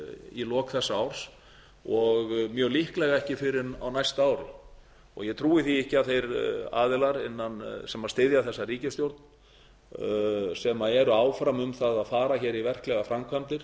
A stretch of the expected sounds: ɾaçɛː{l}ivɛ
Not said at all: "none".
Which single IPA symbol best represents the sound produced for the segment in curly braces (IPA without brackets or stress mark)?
ɾ